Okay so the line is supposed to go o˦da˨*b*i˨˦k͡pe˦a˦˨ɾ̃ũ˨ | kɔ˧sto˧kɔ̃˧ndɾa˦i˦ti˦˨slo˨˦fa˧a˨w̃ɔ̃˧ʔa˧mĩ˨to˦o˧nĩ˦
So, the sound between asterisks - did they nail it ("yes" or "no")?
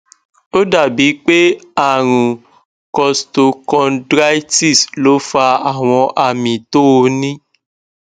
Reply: yes